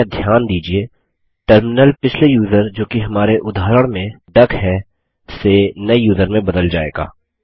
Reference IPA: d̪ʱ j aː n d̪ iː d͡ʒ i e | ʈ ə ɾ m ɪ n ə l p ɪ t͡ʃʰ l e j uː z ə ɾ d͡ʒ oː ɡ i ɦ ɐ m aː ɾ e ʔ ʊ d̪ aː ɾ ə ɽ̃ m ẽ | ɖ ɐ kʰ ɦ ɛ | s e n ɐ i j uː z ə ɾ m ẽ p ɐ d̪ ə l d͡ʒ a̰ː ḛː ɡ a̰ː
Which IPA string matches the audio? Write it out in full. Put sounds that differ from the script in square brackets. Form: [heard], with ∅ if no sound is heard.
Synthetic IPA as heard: d̪ʱ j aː n d̪ iː d͡ʒ i e | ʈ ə ɾ m ɪ n ə l p ɪ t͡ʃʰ l e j uː z ə ɾ d͡ʒ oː [k] i ɦ ɐ m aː ɾ e ʔ ʊ d̪ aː ɾ ə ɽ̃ m ẽ | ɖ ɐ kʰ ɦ ɛ | s e n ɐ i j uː z ə ɾ m ẽ [b] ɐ d̪ ə l d͡ʒ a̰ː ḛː ɡ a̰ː

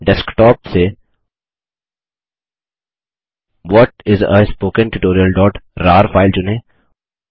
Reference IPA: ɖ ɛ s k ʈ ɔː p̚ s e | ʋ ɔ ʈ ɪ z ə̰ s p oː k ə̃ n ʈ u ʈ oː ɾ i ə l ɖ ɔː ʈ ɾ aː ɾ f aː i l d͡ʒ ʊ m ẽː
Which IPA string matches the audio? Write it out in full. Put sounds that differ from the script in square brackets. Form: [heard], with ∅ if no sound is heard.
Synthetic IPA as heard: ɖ ɛ s k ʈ ɔː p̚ s e | ʋ ɔ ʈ ɪ z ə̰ s p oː k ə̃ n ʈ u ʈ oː ɾ i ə l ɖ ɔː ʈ ɾ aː ɾ f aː [ɪ] l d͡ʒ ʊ [n] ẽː

